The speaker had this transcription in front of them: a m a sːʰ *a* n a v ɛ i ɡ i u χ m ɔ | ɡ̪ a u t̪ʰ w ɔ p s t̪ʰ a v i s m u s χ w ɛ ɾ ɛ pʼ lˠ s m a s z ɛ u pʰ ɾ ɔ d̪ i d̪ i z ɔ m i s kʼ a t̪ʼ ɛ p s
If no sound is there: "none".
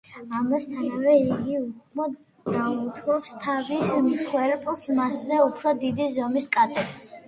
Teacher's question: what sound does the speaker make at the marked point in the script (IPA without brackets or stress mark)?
a